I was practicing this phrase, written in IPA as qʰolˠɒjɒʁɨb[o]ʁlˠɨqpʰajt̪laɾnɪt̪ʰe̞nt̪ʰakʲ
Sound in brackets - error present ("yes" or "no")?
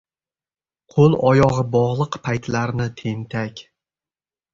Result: yes